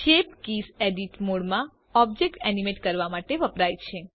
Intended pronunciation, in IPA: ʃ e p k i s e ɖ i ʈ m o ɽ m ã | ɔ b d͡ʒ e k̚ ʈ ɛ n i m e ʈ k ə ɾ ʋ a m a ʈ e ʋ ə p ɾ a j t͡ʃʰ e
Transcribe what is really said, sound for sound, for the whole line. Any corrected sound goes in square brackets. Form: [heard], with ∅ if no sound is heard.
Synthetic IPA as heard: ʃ e p k i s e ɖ i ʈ m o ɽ m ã | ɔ b d͡ʒ e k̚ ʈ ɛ n i m e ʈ k ə ɾ ʋ a m a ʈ e ʋ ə p ɾ a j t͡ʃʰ e